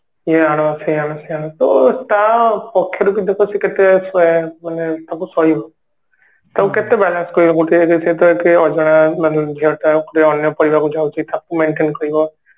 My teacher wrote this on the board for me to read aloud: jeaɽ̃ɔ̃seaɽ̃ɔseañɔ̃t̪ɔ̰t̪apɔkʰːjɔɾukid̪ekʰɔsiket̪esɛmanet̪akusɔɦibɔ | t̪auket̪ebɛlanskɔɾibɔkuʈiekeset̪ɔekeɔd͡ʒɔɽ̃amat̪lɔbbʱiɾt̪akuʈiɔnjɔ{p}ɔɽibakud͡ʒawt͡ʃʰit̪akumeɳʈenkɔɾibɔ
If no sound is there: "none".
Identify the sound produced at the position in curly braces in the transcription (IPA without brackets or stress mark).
p